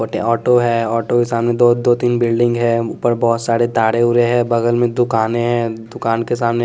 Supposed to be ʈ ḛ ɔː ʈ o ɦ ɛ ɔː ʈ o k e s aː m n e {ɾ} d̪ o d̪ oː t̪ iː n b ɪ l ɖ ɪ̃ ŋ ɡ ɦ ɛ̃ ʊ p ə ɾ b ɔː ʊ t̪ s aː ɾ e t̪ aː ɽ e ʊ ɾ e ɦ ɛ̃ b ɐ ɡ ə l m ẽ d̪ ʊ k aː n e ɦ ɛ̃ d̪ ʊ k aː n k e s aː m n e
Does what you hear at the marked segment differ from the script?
yes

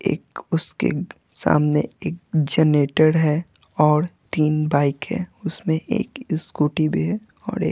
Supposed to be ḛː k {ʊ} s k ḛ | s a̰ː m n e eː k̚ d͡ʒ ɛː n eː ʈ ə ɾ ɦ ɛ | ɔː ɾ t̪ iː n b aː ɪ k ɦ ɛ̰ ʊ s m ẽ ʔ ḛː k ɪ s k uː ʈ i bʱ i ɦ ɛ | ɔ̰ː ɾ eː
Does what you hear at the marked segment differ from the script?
no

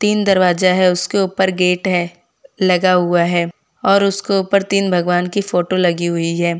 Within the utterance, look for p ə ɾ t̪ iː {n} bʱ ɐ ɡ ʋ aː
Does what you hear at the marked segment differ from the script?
no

